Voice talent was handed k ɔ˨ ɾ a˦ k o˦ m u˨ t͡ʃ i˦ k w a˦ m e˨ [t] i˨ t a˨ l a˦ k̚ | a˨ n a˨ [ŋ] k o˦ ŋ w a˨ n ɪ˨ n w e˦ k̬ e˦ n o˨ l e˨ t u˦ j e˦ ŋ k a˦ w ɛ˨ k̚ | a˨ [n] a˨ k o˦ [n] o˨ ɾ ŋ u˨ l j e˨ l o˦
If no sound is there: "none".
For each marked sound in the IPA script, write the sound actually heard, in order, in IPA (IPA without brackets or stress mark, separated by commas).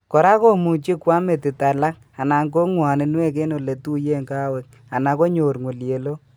t, ŋ, n, ɲ